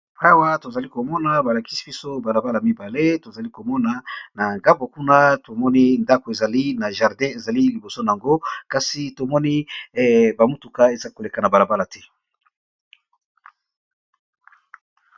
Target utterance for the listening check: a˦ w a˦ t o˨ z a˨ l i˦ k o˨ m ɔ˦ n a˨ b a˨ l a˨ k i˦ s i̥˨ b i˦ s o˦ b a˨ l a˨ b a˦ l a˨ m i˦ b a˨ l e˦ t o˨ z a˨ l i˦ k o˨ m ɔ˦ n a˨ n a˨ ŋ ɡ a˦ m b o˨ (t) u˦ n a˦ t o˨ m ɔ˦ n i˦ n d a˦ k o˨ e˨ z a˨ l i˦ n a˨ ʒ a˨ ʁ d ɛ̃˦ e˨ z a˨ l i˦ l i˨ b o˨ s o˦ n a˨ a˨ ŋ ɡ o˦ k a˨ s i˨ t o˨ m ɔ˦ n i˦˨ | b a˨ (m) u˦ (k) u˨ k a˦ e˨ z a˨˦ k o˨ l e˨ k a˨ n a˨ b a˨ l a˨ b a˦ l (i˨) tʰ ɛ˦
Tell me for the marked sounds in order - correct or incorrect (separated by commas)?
incorrect, correct, incorrect, incorrect